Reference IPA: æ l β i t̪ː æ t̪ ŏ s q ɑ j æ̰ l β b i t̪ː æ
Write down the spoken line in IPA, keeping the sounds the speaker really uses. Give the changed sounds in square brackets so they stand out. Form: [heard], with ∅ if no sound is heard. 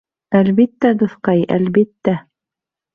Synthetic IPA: æ l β i t̪ː æ [d̪] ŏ [θ] q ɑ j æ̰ l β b i t̪ː æ